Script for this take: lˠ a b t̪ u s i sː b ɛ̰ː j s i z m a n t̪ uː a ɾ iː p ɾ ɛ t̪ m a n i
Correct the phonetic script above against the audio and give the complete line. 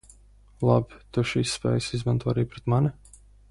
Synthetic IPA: lˠ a b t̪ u ʃ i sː p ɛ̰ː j s i z m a n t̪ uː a ɾ iː p ɾ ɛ t̪ m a n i